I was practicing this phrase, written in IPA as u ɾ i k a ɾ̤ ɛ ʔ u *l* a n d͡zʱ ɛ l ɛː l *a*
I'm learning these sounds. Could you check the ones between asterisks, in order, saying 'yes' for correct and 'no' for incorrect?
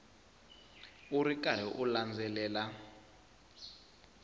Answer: yes, yes

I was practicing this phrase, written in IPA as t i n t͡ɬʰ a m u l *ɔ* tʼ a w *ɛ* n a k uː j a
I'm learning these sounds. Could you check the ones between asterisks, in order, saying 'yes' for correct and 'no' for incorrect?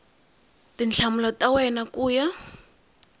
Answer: yes, yes

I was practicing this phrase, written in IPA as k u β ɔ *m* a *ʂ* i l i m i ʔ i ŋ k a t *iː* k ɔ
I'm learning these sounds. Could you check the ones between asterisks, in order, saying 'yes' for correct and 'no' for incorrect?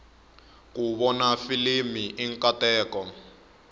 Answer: no, no, no

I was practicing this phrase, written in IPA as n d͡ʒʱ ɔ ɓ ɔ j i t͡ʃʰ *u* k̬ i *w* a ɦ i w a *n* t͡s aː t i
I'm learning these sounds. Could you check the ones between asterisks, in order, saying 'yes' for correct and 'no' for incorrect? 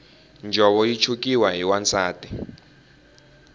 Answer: yes, yes, yes

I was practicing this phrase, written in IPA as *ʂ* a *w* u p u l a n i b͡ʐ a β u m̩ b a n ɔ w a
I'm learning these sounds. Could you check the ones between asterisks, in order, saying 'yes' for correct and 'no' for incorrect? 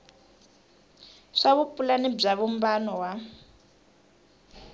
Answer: yes, no

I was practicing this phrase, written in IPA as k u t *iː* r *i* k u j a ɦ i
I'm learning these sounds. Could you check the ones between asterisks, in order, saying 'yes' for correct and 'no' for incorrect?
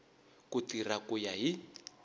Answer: no, no

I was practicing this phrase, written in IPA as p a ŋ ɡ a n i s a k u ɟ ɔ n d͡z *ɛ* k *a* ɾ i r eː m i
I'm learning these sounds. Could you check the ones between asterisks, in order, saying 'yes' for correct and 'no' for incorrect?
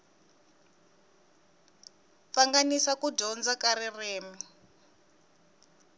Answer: no, yes

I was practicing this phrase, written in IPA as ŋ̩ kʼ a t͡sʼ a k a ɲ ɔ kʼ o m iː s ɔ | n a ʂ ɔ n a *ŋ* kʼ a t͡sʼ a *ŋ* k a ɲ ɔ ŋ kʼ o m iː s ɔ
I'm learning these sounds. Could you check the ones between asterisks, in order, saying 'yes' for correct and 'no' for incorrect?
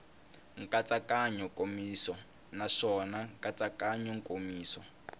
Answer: yes, no

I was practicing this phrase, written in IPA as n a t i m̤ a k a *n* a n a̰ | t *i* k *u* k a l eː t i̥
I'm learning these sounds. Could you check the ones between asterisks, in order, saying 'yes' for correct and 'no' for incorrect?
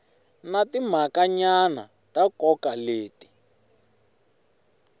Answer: no, no, no

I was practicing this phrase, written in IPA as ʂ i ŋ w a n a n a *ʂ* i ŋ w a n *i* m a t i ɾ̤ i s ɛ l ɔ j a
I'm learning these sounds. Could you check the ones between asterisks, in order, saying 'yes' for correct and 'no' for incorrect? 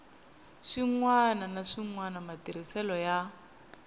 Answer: yes, no

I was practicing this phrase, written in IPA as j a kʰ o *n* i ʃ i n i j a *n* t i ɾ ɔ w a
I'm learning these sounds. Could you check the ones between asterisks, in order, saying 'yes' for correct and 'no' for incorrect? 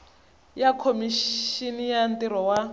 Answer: no, yes

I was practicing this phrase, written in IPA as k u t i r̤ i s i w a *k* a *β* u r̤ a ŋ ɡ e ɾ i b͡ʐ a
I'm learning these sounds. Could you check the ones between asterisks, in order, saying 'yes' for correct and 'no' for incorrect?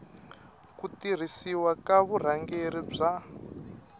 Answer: yes, yes

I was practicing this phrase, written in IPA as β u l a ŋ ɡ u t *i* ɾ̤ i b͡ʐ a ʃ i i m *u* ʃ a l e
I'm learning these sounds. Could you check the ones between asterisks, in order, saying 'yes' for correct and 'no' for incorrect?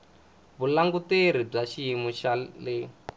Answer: no, yes

